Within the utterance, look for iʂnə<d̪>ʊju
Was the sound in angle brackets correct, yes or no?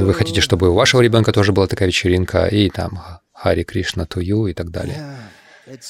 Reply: no